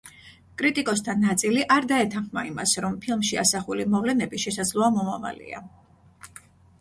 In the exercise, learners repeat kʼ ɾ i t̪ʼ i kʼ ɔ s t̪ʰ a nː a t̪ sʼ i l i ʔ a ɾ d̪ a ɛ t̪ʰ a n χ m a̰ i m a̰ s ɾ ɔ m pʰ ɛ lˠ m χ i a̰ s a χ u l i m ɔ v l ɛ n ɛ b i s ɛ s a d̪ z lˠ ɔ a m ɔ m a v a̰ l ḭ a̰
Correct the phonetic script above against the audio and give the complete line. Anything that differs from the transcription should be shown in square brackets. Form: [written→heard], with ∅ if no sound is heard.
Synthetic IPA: kʼ ɾ i t̪ʼ i kʼ ɔ s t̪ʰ a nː a t̪ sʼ i l i ʔ a ɾ d̪ a ɛ t̪ʰ a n χ m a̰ i m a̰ s ɾ ɔ m pʰ [ɛ→i] lˠ m [χ→ʃ] i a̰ s a χ u l i m ɔ v l ɛ n ɛ b i [s→ʃ] ɛ s a d̪ z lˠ ɔ a m ɔ m a v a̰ l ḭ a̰

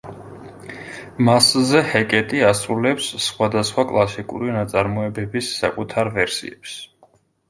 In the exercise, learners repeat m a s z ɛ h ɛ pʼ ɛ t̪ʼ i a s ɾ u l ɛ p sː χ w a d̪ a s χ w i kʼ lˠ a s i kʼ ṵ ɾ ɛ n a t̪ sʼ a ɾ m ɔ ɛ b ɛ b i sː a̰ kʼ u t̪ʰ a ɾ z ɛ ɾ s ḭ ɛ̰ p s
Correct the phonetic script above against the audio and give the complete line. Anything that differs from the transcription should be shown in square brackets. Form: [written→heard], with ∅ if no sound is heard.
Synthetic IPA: m a s z ɛ h ɛ [pʼ→kʼ] ɛ t̪ʼ i a s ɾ u l ɛ p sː χ w a d̪ a s χ w [i→a] kʼ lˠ a s i kʼ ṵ ɾ [ɛ→i] n a t̪ sʼ a ɾ m ɔ ɛ b ɛ b i sː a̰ kʼ u t̪ʰ a ɾ [z→v] ɛ ɾ s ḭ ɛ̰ p s

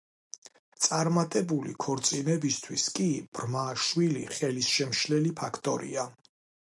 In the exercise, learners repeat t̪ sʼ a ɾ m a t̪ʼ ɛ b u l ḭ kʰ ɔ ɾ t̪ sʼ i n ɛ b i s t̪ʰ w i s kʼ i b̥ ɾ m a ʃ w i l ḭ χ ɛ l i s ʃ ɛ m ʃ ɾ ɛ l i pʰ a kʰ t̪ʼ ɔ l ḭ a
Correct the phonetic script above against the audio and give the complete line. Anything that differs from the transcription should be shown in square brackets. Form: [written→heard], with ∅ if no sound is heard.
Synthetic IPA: t̪ sʼ a ɾ m a t̪ʼ ɛ b u l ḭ kʰ ɔ ɾ t̪ sʼ i n ɛ b i s t̪ʰ w i s kʼ i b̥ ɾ m a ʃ w i l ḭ χ ɛ l i s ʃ ɛ m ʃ [ɾ→l] ɛ l i pʰ a kʰ t̪ʼ ɔ [l→ɾ] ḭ a

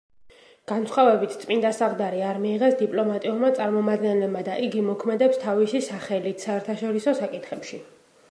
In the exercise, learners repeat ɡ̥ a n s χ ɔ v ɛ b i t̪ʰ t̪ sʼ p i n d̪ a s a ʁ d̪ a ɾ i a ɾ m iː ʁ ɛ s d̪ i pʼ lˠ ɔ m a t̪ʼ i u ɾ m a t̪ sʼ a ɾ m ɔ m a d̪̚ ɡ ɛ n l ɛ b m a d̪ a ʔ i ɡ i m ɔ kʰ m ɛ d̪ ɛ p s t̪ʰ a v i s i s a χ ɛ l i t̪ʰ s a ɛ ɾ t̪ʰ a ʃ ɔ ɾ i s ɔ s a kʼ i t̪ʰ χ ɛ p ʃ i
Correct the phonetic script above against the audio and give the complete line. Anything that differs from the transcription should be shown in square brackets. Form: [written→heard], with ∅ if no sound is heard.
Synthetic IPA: ɡ̥ a n s χ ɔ v ɛ b i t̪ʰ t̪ sʼ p i n d̪ a s a ʁ d̪ a ɾ i a ɾ m iː ʁ ɛ s d̪ i pʼ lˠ ɔ m a t̪ʼ i u ɾ m a t̪ sʼ a ɾ m ɔ m a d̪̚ ɡ ɛ n l ɛ b m a d̪ a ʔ i ɡ i m ɔ kʰ m ɛ d̪ ɛ p s t̪ʰ a v i s i s a χ ɛ l i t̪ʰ s a ɛ ɾ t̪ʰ a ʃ ɔ ɾ i s ɔ s a kʼ i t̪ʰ χ ɛ p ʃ i

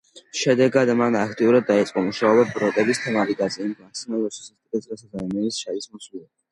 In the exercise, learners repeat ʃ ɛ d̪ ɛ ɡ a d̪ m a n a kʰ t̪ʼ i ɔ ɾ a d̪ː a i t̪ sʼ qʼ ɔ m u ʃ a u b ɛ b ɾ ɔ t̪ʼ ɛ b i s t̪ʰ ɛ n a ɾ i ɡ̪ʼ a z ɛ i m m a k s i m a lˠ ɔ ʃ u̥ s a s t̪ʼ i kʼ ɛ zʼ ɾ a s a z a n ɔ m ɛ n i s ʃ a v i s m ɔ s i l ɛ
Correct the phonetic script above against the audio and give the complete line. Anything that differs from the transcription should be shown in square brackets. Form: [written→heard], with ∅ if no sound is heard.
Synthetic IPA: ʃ ɛ d̪ ɛ ɡ a d̪ m a n a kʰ t̪ʼ i [ɔ→u] ɾ a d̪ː a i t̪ sʼ qʼ ɔ m u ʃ a [u→ɔ] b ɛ b ɾ ɔ t̪ʼ ɛ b i s t̪ʰ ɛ [n→m] a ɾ i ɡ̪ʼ a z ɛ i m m a k s i m a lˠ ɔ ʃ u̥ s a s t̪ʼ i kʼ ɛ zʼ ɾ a s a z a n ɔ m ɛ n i s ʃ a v i s m ɔ s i l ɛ

